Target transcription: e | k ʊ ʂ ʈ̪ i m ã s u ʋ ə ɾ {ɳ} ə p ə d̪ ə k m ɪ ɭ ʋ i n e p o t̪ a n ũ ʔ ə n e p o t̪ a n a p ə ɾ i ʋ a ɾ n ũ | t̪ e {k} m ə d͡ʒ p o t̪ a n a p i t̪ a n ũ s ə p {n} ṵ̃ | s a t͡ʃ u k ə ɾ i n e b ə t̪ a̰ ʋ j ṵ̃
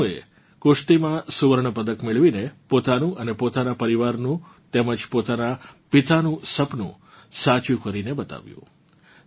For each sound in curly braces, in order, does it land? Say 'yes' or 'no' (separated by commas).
yes, no, yes